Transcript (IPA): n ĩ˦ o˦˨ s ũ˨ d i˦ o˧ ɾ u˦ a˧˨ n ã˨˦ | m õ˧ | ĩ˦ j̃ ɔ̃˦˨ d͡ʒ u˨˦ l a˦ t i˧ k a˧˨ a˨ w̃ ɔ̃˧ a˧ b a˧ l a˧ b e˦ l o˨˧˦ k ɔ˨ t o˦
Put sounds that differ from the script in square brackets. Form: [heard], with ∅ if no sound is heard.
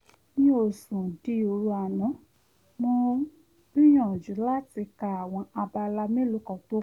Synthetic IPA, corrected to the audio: n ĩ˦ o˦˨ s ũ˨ d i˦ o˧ ɾ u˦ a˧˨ n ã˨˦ | m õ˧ | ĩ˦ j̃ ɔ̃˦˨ d͡ʒ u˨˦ l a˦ t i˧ k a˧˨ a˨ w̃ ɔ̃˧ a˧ b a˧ l a˧ [m] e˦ l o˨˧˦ k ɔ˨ t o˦